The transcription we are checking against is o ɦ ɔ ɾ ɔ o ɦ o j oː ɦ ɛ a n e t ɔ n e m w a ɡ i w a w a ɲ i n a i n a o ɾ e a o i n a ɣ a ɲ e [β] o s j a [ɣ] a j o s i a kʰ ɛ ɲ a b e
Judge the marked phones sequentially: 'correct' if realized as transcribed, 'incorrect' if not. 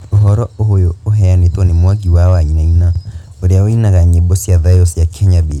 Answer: incorrect: b, incorrect: ð

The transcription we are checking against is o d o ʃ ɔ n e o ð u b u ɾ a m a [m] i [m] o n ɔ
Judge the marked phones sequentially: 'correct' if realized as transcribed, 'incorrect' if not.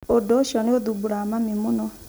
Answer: correct, correct

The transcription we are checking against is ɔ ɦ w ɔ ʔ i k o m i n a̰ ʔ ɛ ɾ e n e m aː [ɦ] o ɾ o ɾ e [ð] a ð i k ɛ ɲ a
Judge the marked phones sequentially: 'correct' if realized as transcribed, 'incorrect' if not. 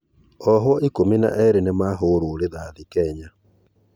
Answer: correct, correct

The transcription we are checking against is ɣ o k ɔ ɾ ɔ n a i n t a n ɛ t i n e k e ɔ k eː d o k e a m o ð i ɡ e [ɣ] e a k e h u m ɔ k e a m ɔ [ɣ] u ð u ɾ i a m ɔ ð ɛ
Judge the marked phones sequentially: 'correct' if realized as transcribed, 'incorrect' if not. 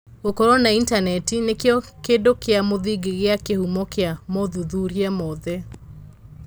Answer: correct, incorrect: ð

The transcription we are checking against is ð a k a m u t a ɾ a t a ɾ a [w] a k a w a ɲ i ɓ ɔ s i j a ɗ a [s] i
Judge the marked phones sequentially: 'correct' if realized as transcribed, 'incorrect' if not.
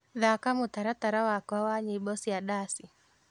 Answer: correct, correct

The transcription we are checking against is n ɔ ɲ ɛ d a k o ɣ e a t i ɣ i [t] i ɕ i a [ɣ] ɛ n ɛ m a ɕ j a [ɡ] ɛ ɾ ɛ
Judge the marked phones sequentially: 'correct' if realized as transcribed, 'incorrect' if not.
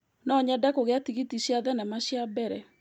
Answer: correct, incorrect: ð, incorrect: b

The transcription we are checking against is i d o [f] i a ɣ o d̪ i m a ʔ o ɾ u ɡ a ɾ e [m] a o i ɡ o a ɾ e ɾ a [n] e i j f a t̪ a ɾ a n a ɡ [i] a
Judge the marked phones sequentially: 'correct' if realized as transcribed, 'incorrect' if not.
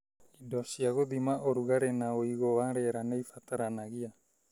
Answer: incorrect: s, incorrect: n, correct, correct

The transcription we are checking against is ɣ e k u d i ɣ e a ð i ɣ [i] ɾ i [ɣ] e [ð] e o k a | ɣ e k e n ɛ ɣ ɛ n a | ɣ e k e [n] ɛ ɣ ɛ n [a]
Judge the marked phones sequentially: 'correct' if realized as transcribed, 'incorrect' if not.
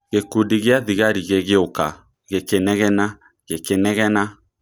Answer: incorrect: a, correct, incorrect: ɣ, correct, correct

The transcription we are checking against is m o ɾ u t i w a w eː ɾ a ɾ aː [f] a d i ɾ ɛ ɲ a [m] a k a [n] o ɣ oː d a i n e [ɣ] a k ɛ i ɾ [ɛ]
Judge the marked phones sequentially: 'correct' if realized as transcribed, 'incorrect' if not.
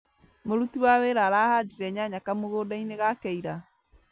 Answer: incorrect: h, incorrect: ɲ, incorrect: m, correct, incorrect: a

